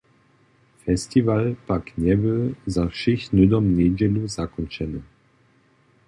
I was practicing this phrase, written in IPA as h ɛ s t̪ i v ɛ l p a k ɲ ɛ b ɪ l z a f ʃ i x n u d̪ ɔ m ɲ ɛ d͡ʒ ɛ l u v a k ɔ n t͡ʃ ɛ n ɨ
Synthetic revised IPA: f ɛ s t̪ i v a l p a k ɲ ɛ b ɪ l z a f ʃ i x n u d̪ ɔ m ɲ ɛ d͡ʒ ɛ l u z a k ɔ n t͡ʃ ɛ n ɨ